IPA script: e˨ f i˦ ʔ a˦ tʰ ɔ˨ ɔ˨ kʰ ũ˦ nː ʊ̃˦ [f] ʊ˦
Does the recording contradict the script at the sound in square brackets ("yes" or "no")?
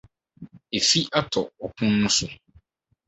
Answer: yes